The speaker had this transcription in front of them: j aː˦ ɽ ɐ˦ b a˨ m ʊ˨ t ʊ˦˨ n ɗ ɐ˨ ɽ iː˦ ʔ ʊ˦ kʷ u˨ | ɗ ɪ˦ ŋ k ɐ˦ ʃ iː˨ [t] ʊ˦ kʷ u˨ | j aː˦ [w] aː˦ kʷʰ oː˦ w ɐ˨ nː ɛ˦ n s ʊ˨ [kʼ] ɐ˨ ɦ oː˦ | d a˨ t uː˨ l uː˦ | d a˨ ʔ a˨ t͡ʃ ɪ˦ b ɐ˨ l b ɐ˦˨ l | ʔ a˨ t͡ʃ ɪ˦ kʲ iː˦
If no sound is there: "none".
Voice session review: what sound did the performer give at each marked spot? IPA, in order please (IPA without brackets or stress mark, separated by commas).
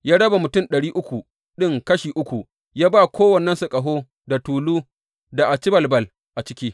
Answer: ʔ, b, kʼ